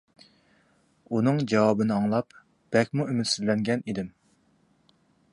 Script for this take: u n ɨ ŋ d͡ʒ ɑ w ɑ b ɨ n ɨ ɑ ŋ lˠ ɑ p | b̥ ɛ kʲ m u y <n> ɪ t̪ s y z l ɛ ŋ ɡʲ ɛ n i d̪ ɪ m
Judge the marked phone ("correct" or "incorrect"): incorrect